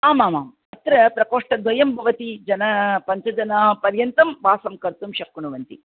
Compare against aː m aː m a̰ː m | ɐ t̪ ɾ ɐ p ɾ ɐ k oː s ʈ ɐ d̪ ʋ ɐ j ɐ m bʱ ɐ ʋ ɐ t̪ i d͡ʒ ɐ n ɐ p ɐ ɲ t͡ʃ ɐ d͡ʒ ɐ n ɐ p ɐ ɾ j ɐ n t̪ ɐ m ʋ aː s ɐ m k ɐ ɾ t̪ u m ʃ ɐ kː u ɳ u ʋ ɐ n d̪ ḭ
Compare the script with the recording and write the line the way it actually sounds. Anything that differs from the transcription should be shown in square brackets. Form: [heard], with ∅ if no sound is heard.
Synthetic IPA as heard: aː m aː m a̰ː m | ɐ t̪ ɾ ɐ p ɾ ɐ k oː [ʂ] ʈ ɐ d̪ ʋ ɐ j ɐ m bʱ ɐ ʋ ɐ t̪ i d͡ʒ ɐ n ɐ p ɐ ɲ t͡ʃ ɐ d͡ʒ ɐ n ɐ p ɐ ɾ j ɐ n t̪ ɐ m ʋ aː s ɐ m k ɐ ɾ t̪ u m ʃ ɐ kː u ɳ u ʋ ɐ n [t̪] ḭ